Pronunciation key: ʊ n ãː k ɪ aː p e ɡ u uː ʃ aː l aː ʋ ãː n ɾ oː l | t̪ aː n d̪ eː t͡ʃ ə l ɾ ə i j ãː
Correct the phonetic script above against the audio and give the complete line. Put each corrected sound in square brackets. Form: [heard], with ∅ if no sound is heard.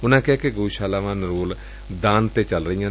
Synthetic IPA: ʊ n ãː k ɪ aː [k] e ɡ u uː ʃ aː l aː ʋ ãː n ɾ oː l | [d̪] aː n [t̪] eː t͡ʃ ə l ɾ ə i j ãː